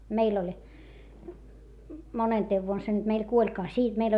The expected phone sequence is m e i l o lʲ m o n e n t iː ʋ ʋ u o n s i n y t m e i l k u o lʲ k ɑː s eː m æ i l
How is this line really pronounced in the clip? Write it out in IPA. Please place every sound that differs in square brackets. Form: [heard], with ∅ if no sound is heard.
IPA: m e i l o lʲ m o n e n t [eː] ʋ ʋ u o n s [e] n y t m e i l k u o lʲ k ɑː s [iː] m [e] i l